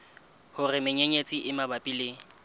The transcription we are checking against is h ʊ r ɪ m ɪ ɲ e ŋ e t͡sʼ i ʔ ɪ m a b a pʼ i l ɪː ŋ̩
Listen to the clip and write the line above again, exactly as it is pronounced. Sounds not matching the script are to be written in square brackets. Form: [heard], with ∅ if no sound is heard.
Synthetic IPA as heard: h ʊ r ɪ m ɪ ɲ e [ɲ] e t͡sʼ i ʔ ɪ m a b a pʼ i l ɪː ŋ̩